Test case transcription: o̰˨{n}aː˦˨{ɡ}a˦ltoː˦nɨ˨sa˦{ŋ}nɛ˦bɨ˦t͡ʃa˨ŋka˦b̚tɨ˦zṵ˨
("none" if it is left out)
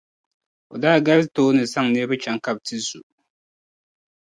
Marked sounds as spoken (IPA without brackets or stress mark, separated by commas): d, ɡ, ŋ